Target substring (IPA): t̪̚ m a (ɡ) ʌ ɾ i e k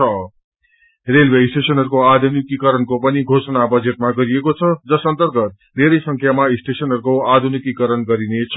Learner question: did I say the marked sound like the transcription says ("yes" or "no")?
yes